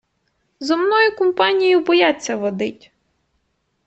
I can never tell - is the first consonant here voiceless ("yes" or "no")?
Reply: no